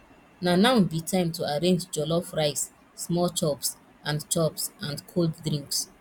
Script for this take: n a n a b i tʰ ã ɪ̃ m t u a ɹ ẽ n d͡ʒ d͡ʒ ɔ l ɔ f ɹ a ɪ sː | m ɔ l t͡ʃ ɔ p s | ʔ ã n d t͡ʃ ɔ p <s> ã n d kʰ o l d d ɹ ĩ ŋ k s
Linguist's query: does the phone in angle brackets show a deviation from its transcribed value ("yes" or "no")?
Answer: no